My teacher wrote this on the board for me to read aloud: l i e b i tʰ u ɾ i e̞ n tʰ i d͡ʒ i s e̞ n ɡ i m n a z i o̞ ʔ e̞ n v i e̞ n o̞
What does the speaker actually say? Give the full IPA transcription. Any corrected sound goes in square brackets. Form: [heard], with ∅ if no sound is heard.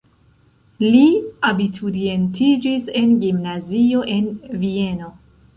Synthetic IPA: l i [a] b i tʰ u ɾ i e̞ n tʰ i d͡ʒ i s e̞ n ɡ i m n a z i o̞ ʔ e̞ n v i e̞ n o̞

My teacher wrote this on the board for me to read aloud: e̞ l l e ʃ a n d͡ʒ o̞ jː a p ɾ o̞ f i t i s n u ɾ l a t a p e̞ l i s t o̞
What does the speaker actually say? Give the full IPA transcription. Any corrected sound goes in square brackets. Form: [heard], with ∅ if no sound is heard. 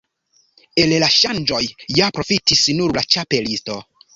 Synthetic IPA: e̞ l l [a] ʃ a n d͡ʒ o̞ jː a p ɾ o̞ f i t i s n u ɾ l a [t͡ʃ] a p e̞ l i s t o̞

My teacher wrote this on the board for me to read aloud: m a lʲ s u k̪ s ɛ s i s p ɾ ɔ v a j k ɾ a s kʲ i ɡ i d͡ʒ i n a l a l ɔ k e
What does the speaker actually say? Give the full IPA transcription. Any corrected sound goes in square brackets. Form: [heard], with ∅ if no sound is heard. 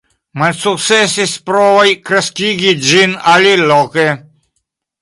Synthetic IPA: m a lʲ s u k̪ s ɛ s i s p ɾ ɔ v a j k ɾ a s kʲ i ɡ i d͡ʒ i n a l [i] l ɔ k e

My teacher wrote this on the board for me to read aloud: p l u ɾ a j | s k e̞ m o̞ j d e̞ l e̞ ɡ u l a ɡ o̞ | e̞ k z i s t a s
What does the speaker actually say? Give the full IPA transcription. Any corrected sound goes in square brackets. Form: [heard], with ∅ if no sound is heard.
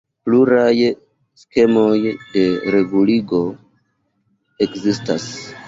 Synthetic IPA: p l u ɾ a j | s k e̞ m o̞ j d e̞ [ɾ] e̞ ɡ u l [i] ɡ o̞ | e̞ k z i s t a s

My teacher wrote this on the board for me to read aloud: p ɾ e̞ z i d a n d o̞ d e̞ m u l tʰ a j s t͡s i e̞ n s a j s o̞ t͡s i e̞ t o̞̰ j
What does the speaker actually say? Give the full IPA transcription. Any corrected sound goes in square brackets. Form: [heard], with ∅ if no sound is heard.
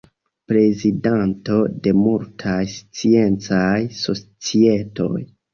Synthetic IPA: p ɾ e̞ z i d a n [t] o̞ d e̞ m u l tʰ a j s t͡s i e̞ n [t͡s] a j s o̞ t͡s i e̞ t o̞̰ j

